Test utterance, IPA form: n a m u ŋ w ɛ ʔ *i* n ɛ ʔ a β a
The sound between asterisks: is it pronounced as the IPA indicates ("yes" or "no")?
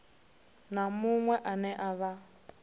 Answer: no